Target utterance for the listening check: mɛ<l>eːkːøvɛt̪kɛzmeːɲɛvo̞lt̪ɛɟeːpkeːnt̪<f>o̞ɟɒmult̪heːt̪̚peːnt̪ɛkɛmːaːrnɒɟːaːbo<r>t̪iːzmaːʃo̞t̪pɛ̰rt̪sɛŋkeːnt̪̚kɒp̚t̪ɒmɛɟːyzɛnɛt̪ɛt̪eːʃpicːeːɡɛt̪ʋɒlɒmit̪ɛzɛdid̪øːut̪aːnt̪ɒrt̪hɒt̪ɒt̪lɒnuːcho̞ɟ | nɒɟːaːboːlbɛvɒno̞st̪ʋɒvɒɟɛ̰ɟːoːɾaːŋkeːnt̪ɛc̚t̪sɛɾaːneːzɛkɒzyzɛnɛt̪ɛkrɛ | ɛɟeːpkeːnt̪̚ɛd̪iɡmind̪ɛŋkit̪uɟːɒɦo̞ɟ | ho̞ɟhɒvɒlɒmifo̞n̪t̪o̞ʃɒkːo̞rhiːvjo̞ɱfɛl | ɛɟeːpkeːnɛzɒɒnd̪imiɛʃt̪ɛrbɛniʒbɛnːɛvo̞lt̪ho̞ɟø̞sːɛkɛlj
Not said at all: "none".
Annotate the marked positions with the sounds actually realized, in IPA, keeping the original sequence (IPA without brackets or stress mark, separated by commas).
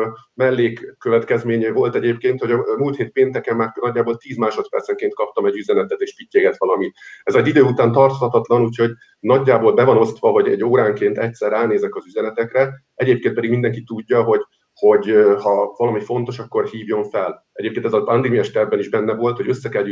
lː, h, l